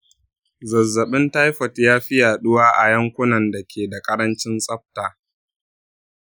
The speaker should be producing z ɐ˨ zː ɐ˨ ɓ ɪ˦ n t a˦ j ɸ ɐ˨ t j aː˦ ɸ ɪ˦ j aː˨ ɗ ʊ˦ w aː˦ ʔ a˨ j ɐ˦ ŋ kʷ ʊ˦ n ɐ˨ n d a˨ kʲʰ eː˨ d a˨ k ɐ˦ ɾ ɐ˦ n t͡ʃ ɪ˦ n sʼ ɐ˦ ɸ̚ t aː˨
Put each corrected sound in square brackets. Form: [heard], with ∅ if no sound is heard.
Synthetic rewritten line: z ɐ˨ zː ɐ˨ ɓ ɪ˦ n t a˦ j ɸ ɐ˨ t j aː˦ ɸ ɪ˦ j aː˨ ɗ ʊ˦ w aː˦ ʔ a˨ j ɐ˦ ŋ kʷ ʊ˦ n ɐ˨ n d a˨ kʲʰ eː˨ d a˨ [kʼ] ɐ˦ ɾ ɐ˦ n t͡ʃ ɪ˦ n sʼ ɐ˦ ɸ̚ t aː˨